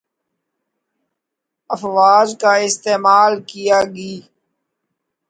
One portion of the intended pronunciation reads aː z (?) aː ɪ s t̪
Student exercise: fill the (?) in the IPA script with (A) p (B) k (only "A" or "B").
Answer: B